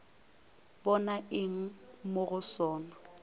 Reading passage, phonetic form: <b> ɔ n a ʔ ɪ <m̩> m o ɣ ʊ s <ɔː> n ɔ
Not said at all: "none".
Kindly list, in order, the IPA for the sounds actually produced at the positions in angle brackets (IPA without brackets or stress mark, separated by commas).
b, ŋ̩, ɔː